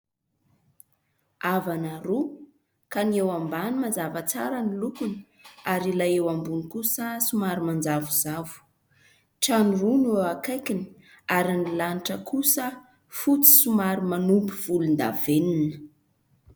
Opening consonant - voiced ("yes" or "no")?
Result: yes